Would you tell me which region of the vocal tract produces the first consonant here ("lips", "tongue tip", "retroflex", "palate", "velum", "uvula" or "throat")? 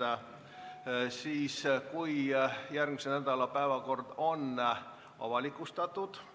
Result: tongue tip